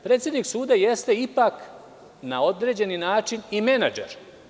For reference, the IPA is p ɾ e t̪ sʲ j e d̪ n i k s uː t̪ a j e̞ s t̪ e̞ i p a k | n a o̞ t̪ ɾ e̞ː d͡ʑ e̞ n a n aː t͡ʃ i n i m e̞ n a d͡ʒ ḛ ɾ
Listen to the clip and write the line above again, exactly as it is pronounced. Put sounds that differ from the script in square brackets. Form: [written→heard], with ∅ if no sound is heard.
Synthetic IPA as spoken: p ɾ e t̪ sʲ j e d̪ n i k s uː [t̪→d̪] a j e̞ s t̪ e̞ i p a k | n a o̞ [t̪→d̪] ɾ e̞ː d͡ʑ e̞ n [a→i] n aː t͡ʃ i n i m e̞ n a d͡ʒ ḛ ɾ